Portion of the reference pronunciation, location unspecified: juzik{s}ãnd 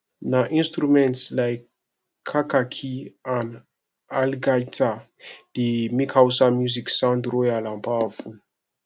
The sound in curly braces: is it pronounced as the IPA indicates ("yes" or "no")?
yes